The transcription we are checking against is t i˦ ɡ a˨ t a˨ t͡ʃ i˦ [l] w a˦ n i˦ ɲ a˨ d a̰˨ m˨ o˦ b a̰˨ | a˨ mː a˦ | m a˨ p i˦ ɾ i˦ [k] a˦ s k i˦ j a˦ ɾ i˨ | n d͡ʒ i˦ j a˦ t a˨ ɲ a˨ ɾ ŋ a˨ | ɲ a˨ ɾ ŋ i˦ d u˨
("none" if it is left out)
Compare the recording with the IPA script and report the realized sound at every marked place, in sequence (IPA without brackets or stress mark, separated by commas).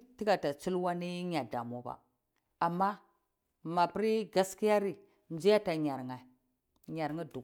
l, ɡ